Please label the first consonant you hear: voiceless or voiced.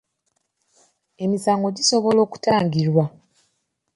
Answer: voiced